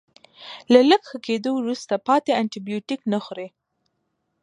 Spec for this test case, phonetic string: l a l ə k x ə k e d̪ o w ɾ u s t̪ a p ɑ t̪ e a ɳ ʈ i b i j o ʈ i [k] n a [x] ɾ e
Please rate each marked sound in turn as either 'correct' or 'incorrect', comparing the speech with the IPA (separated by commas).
correct, correct